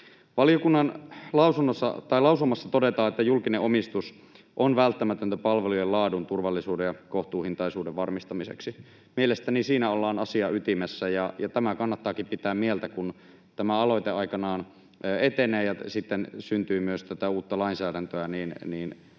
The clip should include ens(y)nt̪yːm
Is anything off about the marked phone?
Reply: no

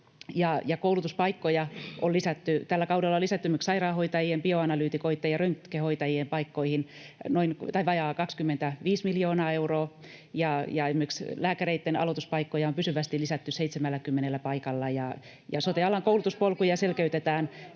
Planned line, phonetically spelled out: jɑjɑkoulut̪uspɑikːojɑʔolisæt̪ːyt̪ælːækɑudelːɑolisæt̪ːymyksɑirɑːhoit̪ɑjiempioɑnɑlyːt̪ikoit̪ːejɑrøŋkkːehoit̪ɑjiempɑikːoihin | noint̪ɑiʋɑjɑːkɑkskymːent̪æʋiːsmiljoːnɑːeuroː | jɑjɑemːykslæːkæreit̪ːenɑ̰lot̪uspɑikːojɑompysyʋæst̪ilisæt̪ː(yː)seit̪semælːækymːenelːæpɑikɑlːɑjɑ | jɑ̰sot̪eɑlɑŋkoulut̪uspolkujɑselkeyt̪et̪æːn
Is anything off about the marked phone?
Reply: yes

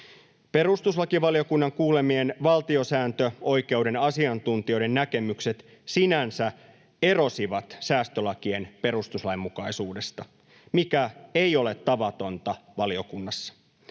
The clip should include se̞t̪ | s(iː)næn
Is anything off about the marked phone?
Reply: yes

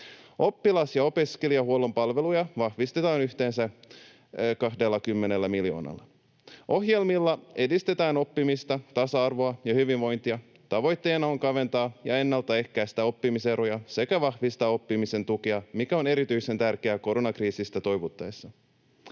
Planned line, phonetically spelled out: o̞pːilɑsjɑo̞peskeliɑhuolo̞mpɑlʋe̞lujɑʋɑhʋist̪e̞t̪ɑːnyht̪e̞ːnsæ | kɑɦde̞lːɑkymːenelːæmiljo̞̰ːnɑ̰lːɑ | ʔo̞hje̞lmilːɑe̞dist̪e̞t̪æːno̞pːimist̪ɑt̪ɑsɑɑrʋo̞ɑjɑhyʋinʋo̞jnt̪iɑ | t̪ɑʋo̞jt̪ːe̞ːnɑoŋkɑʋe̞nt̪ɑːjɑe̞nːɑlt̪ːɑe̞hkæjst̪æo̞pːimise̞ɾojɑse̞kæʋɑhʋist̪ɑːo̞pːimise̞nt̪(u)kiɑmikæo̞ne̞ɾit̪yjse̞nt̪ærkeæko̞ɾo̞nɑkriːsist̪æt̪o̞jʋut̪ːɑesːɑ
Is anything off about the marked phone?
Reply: no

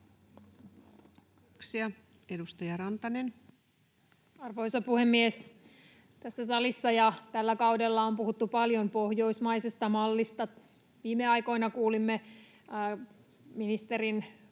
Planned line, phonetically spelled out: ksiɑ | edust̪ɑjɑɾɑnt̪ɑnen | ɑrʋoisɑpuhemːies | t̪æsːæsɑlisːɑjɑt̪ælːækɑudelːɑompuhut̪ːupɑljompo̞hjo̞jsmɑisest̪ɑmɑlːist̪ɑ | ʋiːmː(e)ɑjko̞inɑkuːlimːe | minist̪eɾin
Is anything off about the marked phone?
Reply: no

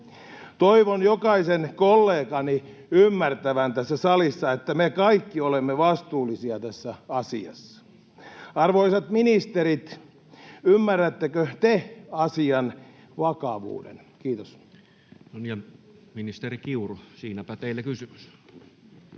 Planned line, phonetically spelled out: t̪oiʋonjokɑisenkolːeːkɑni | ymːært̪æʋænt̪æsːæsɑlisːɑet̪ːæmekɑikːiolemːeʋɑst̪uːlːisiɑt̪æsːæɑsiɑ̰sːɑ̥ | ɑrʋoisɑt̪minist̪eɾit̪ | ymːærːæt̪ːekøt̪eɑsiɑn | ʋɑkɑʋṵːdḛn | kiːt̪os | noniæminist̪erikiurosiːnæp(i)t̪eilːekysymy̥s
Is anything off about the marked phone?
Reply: yes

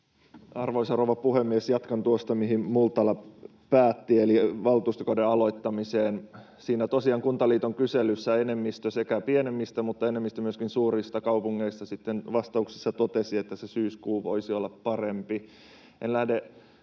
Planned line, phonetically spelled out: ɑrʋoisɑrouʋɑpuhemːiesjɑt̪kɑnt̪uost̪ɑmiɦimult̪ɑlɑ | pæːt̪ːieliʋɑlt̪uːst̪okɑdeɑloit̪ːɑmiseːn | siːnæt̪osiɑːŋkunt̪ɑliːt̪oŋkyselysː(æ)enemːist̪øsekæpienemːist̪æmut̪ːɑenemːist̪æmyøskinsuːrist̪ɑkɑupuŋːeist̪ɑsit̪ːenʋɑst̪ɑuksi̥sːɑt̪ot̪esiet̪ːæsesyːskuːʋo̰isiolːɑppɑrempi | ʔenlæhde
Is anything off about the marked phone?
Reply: no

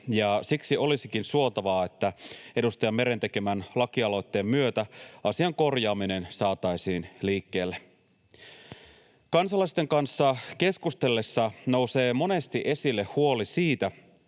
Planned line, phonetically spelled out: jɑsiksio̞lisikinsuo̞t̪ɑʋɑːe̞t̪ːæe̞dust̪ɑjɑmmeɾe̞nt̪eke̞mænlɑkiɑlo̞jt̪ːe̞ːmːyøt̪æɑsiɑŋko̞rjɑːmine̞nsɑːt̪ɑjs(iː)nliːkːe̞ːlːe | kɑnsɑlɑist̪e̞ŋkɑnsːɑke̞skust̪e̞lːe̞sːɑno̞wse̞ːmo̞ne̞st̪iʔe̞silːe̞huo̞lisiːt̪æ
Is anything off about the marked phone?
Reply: no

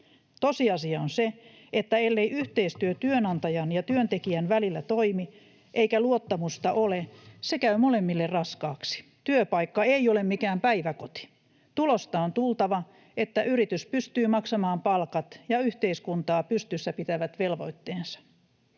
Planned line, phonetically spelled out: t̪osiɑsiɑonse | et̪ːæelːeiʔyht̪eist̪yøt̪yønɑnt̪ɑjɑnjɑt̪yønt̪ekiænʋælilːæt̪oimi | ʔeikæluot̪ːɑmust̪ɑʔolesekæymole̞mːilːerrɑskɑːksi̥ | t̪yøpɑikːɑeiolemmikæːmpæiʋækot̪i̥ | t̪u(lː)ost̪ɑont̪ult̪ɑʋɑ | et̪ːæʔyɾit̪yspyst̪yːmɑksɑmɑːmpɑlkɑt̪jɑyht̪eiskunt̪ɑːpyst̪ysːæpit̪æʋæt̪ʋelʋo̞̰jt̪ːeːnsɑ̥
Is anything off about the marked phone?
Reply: yes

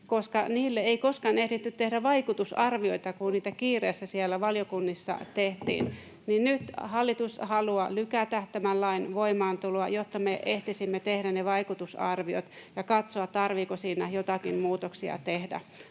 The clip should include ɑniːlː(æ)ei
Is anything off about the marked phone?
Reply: yes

